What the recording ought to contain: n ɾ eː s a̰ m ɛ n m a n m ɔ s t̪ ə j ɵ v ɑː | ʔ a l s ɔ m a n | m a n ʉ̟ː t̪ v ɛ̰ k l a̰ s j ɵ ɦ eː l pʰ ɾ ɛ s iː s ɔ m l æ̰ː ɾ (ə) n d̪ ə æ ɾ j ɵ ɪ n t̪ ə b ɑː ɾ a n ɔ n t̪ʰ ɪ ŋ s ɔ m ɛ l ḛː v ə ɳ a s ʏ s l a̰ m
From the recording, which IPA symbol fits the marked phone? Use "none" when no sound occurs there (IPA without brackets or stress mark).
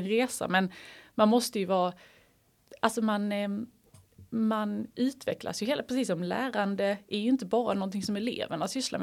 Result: a